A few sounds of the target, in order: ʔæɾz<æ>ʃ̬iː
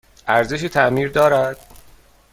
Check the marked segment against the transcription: incorrect: e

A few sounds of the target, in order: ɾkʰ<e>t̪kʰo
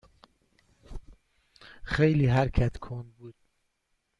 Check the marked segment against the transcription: incorrect: æ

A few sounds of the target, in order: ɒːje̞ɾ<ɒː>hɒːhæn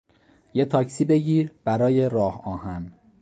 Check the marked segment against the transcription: correct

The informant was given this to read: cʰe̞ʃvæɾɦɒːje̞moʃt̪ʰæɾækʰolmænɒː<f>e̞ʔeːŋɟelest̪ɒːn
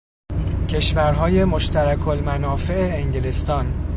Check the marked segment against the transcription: correct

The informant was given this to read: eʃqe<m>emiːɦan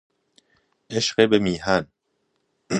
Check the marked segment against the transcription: incorrect: b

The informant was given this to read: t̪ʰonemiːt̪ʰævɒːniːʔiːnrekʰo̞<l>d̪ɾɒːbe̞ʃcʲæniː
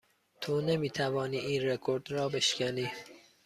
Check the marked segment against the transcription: incorrect: ɾ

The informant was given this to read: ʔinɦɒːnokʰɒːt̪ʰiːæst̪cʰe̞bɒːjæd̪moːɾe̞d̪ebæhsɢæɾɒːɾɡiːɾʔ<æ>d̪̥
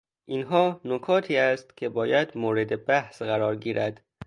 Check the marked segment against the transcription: correct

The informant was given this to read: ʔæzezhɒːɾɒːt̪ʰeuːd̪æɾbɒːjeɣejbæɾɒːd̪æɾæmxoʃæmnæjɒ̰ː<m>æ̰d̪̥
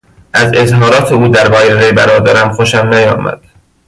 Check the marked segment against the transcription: correct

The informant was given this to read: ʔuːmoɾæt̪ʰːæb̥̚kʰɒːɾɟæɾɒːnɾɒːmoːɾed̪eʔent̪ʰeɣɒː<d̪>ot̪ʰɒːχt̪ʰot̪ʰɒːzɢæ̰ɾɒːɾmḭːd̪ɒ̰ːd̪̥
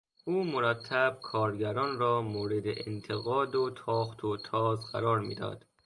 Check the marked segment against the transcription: correct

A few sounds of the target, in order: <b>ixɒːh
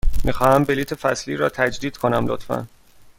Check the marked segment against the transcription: incorrect: m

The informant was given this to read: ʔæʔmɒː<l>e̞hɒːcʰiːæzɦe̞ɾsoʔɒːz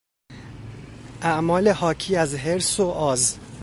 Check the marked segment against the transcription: correct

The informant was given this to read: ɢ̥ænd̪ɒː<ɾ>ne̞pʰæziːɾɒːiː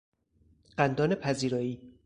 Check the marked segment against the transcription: incorrect: none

